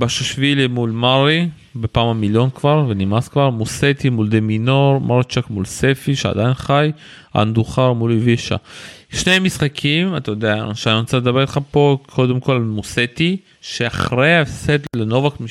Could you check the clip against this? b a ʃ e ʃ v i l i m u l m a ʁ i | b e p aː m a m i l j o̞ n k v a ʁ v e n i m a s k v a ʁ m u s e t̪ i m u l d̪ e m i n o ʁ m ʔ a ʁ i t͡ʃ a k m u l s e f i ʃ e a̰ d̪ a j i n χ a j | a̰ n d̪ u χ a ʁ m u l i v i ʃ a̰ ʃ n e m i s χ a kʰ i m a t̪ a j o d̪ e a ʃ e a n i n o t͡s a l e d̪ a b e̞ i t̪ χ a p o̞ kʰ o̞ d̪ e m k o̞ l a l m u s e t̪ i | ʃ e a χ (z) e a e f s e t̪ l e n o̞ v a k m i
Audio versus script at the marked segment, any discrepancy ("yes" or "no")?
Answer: yes